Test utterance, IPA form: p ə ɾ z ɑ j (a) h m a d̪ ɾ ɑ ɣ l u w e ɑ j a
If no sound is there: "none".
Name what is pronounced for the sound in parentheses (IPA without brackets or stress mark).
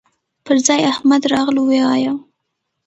a